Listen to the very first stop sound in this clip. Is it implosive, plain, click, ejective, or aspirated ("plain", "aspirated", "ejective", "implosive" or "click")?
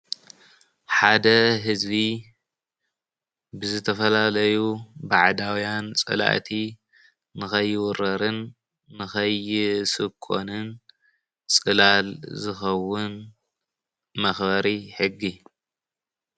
plain